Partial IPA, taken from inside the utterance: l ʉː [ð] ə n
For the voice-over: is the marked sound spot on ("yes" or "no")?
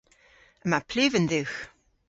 no